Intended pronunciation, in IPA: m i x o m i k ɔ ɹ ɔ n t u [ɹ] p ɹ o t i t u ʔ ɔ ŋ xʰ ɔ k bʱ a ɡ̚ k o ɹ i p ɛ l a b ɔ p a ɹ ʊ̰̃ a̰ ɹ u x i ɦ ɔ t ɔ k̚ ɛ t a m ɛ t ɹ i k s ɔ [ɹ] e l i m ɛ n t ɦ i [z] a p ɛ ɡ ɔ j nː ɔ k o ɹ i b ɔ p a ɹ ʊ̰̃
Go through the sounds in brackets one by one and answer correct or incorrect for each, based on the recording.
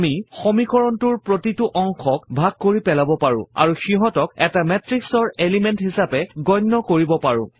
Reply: correct, correct, incorrect

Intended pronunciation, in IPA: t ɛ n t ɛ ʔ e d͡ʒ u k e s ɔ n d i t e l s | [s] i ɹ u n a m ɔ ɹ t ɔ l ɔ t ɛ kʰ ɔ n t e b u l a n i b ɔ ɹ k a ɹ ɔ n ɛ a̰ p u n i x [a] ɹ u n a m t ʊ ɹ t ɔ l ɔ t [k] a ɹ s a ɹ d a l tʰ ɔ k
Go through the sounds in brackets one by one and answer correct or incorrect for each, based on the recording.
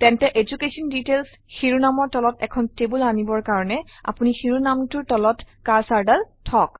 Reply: incorrect, incorrect, correct

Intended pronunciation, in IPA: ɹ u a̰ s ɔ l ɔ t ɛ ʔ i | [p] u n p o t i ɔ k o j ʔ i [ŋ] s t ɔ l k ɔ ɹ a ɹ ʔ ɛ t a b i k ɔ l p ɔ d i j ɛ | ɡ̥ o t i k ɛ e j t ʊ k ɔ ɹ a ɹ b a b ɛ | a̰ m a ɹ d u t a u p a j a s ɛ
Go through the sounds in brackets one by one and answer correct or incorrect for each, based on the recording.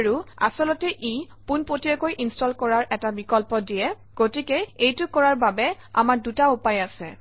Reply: correct, incorrect

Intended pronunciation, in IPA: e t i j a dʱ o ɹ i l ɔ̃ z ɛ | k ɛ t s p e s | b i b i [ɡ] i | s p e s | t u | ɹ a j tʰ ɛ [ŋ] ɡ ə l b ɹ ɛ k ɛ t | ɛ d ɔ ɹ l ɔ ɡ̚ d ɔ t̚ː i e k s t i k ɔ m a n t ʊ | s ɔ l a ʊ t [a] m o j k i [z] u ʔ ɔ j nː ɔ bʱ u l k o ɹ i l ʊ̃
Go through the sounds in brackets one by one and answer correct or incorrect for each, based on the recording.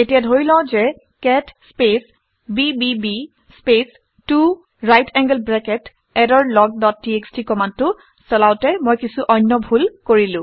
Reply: incorrect, correct, incorrect, incorrect

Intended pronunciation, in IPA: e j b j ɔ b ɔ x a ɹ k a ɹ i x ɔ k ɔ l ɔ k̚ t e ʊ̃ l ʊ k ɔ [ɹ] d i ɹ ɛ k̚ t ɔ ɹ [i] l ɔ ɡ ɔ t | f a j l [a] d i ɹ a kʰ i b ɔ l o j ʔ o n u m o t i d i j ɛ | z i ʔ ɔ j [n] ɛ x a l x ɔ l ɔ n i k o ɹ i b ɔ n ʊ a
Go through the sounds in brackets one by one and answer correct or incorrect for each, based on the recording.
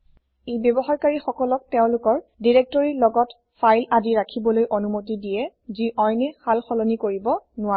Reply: correct, correct, correct, correct

